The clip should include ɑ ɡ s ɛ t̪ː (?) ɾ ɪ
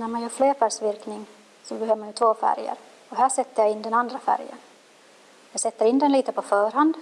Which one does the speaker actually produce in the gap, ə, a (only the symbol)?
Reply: ə